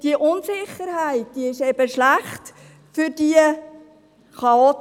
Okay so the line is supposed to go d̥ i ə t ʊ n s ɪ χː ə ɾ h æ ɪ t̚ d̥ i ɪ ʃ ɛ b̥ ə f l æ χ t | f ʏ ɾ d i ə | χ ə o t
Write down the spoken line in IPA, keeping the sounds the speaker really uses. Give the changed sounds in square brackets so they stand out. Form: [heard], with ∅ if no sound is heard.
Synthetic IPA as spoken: d̥ i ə [ʔ] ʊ n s ɪ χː ə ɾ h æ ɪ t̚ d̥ i ɪ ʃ ɛ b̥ ə [ʃ] l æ χ t | f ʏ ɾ d i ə | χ [ɑ] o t